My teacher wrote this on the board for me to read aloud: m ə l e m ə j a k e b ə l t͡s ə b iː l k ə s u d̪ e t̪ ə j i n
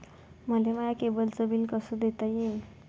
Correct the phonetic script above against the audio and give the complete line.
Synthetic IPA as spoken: m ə l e m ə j a k e b ə l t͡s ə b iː l k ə s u d̪ e t̪ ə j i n